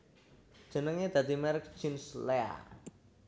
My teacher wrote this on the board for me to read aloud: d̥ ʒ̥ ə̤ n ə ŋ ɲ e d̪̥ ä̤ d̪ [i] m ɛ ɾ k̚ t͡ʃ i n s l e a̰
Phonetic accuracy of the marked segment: correct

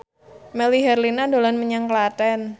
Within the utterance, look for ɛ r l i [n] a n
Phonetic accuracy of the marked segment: correct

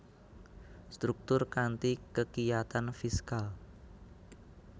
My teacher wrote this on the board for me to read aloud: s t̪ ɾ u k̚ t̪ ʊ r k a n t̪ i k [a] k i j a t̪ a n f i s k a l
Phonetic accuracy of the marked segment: incorrect: ə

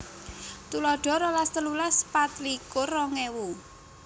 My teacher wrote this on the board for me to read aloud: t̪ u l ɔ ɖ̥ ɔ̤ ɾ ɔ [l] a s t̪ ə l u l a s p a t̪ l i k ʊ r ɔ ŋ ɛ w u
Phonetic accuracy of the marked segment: correct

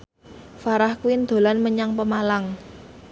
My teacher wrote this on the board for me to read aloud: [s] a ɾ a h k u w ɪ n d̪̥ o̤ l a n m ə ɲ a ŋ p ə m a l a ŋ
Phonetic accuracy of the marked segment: incorrect: f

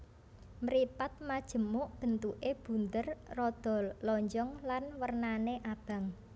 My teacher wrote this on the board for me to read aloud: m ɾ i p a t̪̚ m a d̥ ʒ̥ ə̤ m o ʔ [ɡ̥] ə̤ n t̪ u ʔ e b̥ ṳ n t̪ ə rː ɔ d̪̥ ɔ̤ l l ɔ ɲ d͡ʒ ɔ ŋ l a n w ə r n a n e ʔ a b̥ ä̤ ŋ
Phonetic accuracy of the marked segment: incorrect: b̥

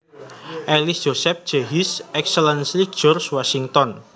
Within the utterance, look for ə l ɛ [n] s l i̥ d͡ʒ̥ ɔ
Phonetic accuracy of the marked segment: correct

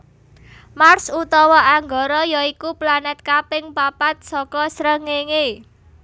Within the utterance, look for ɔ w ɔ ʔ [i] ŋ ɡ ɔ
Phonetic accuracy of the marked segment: incorrect: a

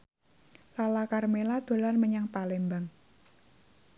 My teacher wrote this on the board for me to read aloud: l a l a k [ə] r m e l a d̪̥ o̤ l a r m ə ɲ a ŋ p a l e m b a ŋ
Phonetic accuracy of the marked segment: incorrect: a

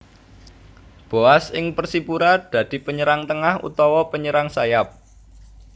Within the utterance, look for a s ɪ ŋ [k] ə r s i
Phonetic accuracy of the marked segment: incorrect: p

